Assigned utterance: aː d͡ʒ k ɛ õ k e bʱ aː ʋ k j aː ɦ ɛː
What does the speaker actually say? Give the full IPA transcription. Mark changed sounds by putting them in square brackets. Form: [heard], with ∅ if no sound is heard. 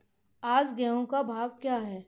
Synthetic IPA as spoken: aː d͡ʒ [ɡ] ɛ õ k [a] bʱ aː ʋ k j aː ɦ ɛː